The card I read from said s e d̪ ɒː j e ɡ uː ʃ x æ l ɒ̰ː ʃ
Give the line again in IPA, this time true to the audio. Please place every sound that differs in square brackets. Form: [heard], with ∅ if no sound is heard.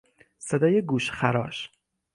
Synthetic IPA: s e d̪ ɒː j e ɡ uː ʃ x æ [ɾ] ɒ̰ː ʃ